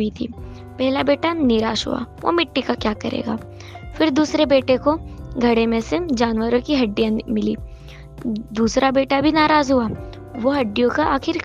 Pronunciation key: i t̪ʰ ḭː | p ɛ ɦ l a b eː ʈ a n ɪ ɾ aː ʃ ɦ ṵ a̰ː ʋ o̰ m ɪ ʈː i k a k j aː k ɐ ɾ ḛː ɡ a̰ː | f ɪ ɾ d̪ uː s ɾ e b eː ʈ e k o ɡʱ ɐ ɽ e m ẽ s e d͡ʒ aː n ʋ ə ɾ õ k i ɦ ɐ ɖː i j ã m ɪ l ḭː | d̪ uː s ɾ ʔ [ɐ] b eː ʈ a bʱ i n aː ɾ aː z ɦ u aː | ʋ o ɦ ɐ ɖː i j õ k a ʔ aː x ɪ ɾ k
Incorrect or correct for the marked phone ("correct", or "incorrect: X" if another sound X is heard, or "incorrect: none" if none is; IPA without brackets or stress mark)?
incorrect: a